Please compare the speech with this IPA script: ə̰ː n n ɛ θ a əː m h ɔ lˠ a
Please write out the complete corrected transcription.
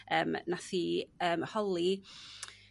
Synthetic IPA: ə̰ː m n a θ i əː m h ɔ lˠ i